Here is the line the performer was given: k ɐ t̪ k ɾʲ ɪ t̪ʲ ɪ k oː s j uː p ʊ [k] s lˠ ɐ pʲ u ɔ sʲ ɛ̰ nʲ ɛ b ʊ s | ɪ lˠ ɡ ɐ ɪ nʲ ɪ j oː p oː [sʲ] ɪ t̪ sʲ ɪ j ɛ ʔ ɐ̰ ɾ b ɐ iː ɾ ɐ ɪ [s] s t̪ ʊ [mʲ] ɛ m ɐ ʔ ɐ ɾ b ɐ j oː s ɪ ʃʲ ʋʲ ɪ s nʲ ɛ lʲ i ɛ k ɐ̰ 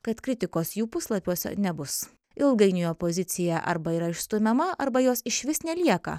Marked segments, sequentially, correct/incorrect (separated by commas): incorrect, incorrect, incorrect, correct